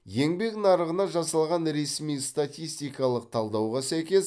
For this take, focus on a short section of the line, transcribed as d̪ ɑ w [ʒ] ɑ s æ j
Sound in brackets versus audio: incorrect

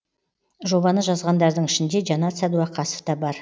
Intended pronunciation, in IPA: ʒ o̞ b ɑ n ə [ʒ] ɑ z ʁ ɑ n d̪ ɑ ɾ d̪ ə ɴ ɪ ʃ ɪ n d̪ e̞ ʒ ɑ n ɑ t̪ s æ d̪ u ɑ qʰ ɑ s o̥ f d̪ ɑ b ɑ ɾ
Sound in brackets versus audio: correct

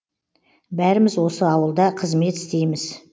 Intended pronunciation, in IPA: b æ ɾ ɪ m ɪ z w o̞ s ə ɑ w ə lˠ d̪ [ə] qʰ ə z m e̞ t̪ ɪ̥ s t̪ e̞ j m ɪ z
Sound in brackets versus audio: incorrect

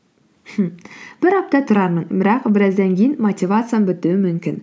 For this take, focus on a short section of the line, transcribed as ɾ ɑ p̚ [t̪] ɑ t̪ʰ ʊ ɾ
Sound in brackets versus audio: correct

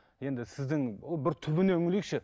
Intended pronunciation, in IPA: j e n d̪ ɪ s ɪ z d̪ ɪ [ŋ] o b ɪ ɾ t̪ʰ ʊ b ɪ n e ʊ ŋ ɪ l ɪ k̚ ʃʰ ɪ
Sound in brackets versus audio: correct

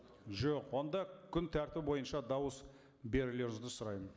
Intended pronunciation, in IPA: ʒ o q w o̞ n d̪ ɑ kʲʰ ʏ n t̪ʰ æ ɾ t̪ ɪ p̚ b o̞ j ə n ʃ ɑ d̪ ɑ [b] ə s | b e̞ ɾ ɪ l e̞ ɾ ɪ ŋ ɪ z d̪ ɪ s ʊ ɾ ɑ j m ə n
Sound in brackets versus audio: incorrect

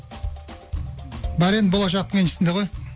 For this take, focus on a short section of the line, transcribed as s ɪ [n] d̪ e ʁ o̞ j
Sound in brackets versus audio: correct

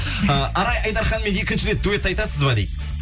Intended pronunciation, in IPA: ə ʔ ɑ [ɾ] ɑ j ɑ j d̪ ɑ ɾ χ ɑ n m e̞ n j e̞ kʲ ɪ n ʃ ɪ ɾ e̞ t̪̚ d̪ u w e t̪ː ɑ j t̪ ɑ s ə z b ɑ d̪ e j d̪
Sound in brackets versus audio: correct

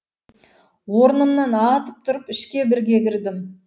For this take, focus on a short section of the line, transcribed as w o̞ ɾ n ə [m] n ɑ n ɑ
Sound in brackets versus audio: correct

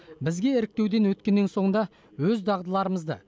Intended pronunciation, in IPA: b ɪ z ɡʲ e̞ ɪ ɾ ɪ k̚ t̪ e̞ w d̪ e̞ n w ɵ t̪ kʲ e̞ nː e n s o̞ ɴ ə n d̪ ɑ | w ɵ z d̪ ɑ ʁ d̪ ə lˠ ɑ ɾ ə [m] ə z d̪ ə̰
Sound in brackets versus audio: correct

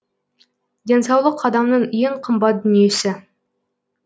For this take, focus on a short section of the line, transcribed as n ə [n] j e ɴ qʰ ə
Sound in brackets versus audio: incorrect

